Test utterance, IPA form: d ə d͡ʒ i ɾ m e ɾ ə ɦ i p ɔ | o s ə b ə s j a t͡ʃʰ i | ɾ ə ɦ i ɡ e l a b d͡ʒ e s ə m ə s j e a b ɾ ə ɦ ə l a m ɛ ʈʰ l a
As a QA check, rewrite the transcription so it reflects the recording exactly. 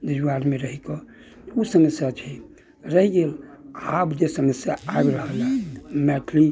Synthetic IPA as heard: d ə d͡ʒ a ɾ m e ɾ ə ɦ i k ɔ | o s ə m ə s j a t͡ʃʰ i | ɾ ə ɦ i ɡ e l a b d͡ʒ e s ə m ə s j a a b ɾ ə ɦ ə l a m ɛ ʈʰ l i